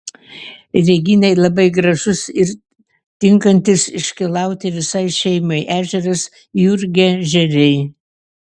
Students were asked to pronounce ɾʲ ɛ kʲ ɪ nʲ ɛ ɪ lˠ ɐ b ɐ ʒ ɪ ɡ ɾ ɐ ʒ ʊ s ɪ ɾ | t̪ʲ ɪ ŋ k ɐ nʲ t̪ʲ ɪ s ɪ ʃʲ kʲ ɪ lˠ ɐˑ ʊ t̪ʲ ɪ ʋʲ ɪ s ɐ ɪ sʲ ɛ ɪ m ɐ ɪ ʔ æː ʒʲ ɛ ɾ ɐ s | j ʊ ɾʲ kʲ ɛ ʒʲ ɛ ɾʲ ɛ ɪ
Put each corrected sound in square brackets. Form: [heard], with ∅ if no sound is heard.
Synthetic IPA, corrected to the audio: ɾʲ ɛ [ɡʲ] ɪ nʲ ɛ ɪ lˠ ɐ b ɐ [∅] ɪ ɡ ɾ ɐ ʒ ʊ s ɪ ɾ | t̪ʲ ɪ ŋ k ɐ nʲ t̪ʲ ɪ s ɪ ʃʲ kʲ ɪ lˠ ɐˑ ʊ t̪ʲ ɪ ʋʲ ɪ s ɐ ɪ [ʃʲ] ɛ ɪ m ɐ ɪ ʔ æː ʒʲ ɛ ɾ ɐ s | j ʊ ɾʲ [ɡʲ] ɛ ʒʲ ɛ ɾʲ ɛ ɪ